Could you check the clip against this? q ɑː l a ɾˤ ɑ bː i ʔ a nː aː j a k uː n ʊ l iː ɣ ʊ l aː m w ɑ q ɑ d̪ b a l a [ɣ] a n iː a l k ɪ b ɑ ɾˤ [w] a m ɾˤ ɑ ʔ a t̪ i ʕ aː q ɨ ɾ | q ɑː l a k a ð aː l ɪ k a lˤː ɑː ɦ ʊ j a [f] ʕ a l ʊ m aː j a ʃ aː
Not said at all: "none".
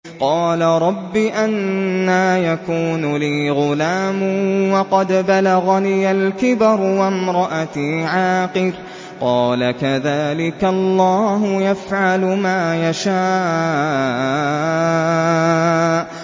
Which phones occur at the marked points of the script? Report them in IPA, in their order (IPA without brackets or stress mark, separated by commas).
ɣ, w, f